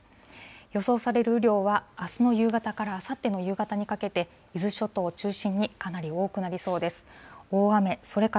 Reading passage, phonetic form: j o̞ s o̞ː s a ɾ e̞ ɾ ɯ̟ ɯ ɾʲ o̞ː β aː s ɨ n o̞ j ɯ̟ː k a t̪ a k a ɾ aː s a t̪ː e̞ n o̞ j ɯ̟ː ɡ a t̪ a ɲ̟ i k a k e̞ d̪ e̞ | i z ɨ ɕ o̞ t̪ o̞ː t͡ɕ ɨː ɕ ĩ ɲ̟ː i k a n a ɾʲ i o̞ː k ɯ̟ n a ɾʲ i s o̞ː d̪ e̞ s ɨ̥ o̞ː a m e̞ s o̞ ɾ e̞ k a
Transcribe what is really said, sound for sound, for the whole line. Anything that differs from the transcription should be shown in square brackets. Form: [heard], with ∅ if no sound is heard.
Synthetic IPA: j o̞ s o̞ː s a ɾ e̞ ɾ ɯ̟ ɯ ɾʲ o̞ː β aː s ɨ n o̞ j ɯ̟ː [ɡ] a t̪ a k a ɾ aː s a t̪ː e̞ n o̞ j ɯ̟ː ɡ a t̪ a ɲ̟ i k a k e̞ [t̪] e̞ | i z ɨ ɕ o̞ t̪ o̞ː t͡ɕ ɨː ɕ ĩ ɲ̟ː i k a n a ɾʲ i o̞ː k ɯ̟ n a ɾʲ i s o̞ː d̪ e̞ s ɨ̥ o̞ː a m e̞ s o̞ ɾ e̞ k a